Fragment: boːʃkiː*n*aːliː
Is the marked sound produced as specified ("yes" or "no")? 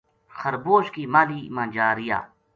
no